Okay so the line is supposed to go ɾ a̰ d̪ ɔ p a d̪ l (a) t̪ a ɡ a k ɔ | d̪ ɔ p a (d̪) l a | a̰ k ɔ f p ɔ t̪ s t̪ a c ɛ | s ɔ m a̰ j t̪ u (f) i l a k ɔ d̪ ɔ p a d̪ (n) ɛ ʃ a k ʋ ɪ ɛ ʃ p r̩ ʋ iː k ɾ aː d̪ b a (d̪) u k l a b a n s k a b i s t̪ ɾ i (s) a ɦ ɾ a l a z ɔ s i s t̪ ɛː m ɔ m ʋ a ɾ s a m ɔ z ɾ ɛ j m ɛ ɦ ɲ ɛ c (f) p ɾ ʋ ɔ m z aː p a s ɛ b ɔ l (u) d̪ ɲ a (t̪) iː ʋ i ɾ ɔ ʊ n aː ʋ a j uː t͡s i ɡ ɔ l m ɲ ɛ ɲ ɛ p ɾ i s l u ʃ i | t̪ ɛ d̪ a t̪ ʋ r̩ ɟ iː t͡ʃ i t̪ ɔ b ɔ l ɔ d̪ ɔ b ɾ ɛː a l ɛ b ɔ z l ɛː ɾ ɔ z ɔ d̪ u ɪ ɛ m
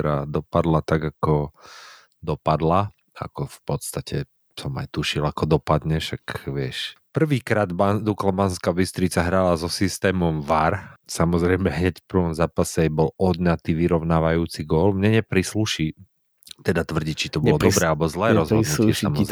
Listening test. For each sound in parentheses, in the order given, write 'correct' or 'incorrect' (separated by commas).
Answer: correct, correct, incorrect, incorrect, correct, incorrect, correct, incorrect, correct